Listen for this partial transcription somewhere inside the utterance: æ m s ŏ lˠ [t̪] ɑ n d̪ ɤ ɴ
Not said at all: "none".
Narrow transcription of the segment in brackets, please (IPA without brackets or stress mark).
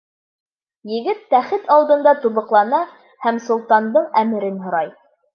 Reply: t̪